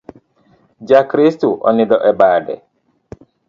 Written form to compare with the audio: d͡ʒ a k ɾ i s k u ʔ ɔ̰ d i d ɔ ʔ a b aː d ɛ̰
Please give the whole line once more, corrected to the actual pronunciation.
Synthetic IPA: d͡ʒ a k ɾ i s t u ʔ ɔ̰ n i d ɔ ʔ ɛ b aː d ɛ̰